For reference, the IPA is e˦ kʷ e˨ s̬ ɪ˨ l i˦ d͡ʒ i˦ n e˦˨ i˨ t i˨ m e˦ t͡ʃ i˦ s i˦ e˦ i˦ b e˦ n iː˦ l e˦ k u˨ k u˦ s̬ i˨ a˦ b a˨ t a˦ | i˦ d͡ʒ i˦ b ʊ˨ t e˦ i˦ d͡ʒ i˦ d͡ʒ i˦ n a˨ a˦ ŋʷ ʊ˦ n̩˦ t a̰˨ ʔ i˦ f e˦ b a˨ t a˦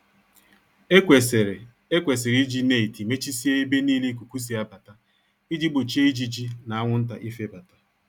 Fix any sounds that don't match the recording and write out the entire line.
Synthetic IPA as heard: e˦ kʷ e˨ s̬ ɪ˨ ɾ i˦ d͡ʒ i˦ n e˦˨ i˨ t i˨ m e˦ t͡ʃ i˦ s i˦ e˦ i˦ b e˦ n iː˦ l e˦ k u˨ k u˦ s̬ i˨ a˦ b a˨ t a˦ | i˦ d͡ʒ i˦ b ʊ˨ t͡ʃ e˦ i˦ d͡ʒ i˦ d͡ʒ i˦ n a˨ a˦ ŋʷ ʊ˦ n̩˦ t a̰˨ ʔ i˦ f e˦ b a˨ t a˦